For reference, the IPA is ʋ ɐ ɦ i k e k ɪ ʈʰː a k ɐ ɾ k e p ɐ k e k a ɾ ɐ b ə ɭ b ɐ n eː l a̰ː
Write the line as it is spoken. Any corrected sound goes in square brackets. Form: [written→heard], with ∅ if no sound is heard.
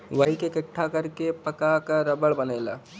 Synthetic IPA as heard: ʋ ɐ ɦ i k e k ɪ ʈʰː a k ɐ ɾ k e p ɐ k [e→a] k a ɾ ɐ b ə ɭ b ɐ n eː l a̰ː